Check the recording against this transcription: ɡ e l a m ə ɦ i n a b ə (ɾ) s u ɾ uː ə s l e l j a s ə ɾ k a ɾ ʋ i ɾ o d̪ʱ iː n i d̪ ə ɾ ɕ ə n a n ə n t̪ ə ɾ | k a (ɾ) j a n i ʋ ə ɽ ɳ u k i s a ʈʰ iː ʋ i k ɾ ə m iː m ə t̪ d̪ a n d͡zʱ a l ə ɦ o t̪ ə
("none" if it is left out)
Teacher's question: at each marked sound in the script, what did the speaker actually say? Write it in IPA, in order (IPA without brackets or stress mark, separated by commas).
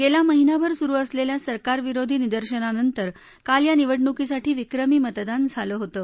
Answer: ɾ, l